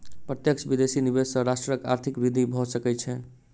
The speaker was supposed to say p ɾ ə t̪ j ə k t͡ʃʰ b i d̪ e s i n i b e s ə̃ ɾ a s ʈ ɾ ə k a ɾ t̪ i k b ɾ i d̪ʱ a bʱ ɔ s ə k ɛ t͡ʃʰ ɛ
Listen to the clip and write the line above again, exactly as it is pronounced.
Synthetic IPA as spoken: p ɾ ə t̪ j ə k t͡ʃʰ b i d̪ e s i n i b e s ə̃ ɾ a s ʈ ɾ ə k a ɾ t̪ʰ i k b ɾ i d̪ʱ i bʱ ɔ s ə k ɛ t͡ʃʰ ɛ